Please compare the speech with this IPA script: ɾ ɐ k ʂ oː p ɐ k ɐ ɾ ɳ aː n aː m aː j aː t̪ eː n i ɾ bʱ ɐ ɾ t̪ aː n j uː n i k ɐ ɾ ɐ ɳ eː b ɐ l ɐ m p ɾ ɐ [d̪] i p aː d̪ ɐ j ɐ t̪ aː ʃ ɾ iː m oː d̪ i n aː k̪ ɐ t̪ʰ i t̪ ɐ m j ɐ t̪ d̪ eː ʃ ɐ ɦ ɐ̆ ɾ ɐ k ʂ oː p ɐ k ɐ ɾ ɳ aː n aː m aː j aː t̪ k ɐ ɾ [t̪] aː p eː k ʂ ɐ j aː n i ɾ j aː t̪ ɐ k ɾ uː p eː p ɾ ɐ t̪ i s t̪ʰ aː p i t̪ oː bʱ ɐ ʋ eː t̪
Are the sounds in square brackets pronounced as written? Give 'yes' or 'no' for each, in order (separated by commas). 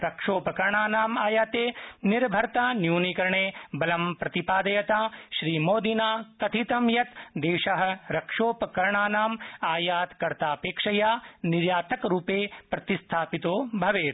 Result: no, yes